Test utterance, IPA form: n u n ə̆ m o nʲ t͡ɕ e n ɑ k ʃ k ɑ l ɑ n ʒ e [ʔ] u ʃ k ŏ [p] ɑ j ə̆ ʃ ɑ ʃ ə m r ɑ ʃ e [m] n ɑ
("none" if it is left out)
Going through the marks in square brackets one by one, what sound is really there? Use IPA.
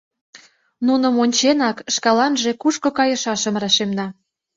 k, k, m

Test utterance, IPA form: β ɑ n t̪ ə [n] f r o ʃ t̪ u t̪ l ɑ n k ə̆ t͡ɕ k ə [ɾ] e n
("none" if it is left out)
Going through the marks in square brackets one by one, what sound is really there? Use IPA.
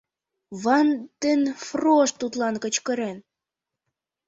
n, ɾ

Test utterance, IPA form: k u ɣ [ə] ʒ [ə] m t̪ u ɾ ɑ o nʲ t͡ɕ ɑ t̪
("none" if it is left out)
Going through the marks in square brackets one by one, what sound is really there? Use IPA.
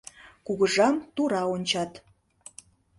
ə, ɑ

